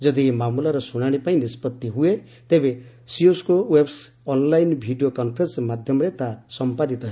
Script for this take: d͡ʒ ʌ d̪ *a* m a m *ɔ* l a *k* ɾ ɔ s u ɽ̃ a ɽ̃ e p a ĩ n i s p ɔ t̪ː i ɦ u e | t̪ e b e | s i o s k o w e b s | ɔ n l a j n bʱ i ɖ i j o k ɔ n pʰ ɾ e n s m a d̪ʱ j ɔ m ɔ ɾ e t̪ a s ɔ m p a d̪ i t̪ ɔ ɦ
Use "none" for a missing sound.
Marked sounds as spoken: i, u, none

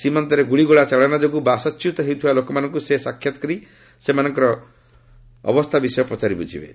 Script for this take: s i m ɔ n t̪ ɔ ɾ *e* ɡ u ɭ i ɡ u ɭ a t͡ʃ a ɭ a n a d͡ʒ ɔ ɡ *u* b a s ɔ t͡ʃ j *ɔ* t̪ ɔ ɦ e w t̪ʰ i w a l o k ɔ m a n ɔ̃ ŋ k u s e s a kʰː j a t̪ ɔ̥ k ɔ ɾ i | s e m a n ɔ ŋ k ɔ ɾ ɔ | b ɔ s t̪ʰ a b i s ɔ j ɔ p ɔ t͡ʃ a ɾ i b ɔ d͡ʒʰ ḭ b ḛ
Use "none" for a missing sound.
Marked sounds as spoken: e, u, u

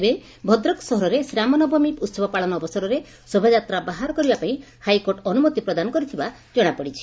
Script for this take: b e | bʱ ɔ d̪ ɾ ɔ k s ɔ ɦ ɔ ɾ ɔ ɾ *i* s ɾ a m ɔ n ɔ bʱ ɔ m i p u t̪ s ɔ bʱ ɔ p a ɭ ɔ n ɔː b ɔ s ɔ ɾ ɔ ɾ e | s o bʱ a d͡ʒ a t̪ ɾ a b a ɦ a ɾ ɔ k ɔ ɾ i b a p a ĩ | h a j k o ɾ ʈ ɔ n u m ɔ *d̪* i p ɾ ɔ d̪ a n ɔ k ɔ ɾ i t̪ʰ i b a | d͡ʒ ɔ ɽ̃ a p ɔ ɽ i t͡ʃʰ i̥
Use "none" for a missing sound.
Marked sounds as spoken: e, t̪

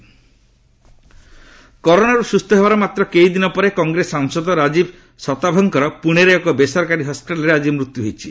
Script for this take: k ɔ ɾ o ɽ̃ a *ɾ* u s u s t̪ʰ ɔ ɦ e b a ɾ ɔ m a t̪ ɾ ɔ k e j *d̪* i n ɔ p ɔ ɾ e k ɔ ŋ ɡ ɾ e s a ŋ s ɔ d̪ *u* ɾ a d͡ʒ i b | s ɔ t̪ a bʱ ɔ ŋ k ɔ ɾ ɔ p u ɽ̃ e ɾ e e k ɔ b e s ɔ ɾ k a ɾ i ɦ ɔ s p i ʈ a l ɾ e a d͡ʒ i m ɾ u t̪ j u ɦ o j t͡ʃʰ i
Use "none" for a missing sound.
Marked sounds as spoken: ɾ, d̪, ɔ

